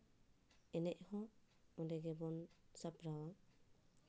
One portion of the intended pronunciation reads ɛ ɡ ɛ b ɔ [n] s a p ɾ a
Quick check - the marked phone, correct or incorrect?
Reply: correct